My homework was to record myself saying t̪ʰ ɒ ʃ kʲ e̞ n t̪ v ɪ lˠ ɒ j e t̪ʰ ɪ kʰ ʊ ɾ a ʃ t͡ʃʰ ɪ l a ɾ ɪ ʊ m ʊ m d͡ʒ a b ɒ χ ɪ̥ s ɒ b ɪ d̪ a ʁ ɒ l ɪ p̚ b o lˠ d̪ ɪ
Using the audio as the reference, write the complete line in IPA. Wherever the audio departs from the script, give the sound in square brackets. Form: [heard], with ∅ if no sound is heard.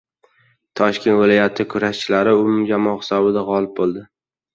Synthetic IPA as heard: t̪ʰ ɒ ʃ kʲ e̞ n t̪ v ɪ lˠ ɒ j [a] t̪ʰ ɪ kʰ ʊ ɾ a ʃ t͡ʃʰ ɪ l a ɾ ɪ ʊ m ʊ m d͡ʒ a [m] ɒ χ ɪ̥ s ɒ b ɪ d̪ a ʁ ɒ l ɪ p̚ b o lˠ d̪ ɪ